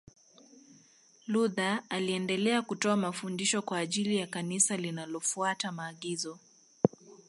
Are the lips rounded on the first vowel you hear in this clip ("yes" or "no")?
yes